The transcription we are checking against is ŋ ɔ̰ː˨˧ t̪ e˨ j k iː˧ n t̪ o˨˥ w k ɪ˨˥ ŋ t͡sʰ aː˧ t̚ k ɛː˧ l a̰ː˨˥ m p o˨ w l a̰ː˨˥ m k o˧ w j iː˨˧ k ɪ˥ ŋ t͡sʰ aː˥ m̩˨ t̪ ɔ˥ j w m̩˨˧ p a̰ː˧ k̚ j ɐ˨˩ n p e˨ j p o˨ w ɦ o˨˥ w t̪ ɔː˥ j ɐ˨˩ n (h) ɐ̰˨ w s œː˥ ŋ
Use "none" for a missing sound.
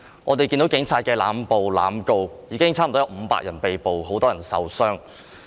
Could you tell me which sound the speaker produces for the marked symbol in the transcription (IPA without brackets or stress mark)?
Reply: s